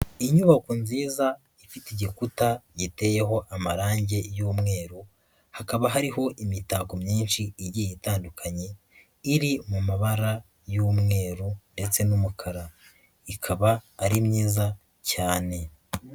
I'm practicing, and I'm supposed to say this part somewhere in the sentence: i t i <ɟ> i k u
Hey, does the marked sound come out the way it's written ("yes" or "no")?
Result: yes